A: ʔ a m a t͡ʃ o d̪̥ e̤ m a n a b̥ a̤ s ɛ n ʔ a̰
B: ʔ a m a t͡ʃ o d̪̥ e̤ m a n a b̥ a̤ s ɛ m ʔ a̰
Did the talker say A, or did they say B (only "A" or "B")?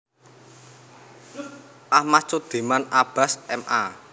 B